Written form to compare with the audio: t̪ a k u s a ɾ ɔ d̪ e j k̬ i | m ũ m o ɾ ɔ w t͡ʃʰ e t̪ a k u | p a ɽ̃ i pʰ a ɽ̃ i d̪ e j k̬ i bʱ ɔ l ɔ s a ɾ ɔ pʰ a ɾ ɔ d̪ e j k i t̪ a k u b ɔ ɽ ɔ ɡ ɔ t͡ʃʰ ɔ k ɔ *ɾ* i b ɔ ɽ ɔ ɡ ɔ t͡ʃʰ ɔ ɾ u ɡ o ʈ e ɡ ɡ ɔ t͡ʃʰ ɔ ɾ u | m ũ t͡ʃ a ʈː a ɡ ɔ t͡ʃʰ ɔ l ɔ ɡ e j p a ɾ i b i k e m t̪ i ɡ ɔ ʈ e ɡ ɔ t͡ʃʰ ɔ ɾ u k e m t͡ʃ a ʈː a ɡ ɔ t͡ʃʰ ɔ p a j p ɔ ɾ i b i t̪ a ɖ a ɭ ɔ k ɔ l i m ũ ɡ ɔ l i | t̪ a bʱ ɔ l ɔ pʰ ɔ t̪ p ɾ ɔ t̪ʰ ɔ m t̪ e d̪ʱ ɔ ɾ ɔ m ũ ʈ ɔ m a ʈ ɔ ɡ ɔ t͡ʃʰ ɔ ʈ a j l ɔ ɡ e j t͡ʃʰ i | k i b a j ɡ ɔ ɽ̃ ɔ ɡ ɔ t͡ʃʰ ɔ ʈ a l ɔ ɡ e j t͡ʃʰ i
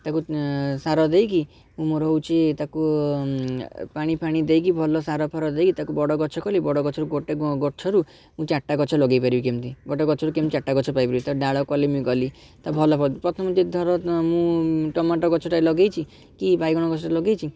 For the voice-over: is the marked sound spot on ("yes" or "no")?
no